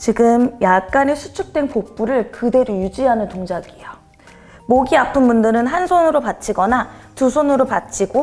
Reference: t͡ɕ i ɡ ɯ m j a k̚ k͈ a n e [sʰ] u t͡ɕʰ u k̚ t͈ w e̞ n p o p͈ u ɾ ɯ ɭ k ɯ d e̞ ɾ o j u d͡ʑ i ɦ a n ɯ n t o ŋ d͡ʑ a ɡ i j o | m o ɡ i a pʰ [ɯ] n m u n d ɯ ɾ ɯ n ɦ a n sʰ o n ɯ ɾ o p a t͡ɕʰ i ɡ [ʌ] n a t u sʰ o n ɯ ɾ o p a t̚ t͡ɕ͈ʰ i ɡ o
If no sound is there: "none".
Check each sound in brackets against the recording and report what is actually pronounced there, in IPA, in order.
sʰ, ɯ, ʌ

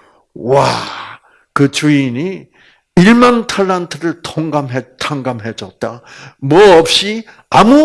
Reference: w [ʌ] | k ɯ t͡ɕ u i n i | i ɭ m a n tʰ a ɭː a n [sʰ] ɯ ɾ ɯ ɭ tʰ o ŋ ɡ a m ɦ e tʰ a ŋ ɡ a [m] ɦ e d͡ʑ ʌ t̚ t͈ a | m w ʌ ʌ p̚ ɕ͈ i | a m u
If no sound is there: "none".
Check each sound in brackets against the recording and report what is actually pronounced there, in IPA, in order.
a, tʰ, m

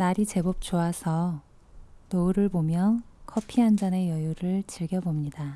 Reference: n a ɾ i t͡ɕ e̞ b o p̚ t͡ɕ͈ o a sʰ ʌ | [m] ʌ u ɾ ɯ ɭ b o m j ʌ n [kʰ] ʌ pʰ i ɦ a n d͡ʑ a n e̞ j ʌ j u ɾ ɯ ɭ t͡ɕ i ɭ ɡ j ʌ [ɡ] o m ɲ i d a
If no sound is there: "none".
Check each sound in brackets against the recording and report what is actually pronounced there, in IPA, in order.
n, kʰ, b

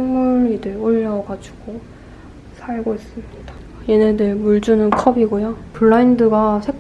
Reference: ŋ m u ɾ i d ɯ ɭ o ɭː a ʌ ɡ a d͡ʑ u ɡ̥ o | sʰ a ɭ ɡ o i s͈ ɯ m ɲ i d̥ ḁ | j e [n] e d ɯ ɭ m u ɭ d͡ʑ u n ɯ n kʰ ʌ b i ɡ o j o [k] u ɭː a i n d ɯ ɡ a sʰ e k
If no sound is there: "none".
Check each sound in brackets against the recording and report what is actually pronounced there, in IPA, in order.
n, p

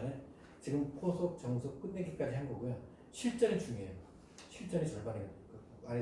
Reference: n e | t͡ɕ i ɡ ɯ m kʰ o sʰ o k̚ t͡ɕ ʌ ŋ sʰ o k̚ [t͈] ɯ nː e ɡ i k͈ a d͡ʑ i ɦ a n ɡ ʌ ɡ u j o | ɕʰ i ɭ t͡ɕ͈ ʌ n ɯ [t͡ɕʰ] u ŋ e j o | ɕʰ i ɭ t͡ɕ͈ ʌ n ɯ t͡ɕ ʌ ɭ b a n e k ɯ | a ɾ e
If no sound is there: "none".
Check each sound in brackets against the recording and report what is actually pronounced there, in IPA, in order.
k͈, t͡ɕ

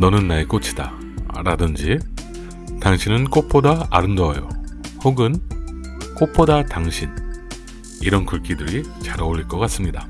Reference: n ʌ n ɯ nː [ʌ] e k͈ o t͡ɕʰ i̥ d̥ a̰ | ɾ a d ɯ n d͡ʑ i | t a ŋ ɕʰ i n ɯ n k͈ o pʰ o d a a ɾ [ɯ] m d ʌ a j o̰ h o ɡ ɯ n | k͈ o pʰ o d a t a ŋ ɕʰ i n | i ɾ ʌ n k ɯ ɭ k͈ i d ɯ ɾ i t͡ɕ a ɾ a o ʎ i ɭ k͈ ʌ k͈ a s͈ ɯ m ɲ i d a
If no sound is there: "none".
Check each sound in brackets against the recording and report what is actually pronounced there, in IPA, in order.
a, ɯ

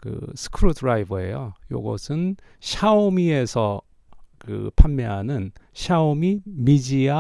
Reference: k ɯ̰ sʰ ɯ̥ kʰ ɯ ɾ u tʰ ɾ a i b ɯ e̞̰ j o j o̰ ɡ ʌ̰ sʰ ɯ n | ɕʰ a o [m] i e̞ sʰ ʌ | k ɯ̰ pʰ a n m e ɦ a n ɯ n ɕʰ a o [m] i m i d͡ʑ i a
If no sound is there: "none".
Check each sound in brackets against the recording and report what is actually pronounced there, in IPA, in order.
m, m

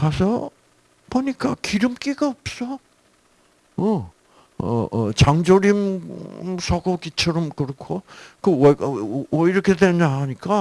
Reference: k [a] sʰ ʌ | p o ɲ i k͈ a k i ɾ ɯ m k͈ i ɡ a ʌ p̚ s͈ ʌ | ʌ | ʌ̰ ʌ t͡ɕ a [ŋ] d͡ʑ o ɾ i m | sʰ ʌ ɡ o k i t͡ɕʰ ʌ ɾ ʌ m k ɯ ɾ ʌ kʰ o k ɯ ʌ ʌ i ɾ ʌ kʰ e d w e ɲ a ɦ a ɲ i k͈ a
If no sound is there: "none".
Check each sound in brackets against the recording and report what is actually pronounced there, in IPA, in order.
a, ŋ

